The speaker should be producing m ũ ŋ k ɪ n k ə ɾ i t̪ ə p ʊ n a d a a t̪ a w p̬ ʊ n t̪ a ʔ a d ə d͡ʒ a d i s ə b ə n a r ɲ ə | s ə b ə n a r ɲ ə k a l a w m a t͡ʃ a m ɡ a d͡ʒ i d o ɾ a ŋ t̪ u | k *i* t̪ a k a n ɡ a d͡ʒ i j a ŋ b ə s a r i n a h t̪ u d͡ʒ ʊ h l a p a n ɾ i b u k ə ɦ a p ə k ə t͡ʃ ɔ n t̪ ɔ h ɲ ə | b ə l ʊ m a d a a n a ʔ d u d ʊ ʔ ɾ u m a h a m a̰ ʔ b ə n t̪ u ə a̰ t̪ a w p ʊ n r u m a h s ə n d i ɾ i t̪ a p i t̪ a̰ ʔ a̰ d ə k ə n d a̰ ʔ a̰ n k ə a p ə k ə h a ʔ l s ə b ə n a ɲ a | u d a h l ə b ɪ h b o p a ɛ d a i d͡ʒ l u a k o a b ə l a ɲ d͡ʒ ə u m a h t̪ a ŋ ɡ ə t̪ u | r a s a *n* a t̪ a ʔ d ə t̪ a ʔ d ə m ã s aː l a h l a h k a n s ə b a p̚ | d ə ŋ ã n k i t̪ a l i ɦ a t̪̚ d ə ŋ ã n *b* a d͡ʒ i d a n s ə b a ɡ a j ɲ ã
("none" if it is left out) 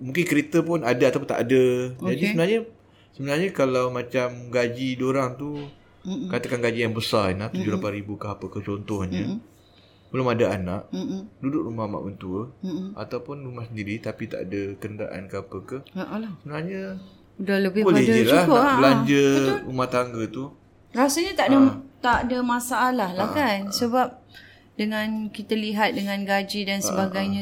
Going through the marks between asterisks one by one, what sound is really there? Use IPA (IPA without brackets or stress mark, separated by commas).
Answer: a, ɲ, ɡ